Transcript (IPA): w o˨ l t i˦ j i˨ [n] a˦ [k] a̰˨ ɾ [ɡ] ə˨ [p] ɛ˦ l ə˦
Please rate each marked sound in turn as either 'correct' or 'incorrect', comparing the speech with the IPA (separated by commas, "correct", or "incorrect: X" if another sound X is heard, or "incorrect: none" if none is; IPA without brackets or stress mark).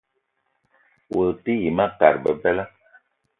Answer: incorrect: m, correct, incorrect: b, incorrect: b